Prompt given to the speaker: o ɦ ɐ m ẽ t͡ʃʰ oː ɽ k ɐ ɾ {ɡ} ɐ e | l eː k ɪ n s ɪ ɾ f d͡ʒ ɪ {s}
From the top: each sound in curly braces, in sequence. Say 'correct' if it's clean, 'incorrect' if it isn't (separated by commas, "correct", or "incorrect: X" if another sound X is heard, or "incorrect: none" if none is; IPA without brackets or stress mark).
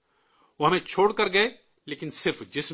correct, correct